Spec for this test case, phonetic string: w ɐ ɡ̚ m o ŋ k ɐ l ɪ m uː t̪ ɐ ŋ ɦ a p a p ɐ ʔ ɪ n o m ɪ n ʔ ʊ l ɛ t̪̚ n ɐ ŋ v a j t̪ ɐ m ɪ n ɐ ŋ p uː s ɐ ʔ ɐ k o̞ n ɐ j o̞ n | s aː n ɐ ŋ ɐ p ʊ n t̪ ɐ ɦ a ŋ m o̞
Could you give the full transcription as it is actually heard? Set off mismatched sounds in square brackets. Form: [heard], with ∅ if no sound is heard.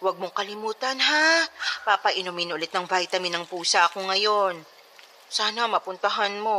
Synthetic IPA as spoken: w ɐ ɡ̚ m o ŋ k ɐ l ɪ m uː t̪ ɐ [n] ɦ a p a p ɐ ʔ ɪ n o m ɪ n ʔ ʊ l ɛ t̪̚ n ɐ ŋ v a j t̪ ɐ m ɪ n ɐ ŋ p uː s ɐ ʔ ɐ k o̞ [ŋ] ɐ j o̞ n | s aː n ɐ [m] ɐ p ʊ n t̪ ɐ ɦ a [n] m o̞